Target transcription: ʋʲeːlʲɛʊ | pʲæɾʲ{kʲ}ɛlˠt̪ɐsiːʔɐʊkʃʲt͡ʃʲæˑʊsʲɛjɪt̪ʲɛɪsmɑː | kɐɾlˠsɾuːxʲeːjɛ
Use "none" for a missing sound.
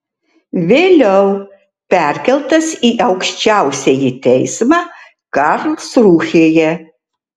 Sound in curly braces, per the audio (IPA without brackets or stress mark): kʲ